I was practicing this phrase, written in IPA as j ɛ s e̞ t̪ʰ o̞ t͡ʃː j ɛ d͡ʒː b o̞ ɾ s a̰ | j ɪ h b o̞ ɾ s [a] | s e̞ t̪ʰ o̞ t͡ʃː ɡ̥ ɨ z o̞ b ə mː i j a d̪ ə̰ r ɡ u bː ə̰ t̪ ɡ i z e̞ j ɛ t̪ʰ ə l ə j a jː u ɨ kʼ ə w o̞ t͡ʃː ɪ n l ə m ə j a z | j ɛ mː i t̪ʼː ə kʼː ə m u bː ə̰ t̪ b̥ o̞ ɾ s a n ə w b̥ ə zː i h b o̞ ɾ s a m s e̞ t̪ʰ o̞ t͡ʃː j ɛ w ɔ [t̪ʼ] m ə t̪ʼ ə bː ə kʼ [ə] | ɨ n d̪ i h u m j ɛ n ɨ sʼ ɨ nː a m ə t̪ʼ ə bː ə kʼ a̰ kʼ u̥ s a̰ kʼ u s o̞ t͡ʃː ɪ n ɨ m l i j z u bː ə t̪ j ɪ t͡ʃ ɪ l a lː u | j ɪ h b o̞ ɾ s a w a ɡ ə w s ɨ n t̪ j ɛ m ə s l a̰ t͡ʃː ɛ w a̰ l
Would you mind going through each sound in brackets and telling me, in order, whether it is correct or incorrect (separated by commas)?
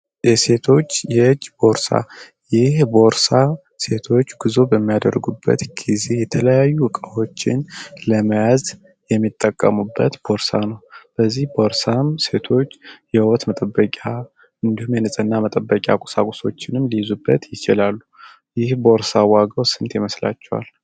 correct, incorrect, incorrect